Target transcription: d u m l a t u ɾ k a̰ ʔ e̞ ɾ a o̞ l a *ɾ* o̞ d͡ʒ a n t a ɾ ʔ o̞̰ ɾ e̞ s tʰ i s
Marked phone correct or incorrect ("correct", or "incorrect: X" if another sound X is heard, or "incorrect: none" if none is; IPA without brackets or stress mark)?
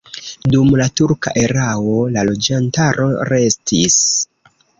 incorrect: l